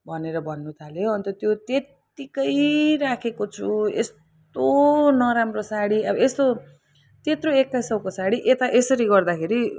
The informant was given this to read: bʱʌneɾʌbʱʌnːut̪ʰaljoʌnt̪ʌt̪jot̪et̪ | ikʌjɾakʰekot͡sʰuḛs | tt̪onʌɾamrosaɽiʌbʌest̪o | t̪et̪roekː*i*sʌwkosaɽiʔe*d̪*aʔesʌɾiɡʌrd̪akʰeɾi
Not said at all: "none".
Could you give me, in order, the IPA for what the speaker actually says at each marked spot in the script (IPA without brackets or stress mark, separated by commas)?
a, t̪